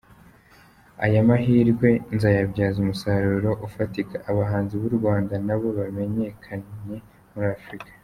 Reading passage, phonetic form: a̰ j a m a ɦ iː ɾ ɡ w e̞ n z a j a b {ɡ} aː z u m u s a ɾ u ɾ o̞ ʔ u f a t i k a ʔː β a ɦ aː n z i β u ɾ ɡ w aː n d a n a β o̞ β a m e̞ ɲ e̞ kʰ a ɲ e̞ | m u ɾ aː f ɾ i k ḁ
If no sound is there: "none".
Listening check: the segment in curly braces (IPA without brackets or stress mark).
ɟ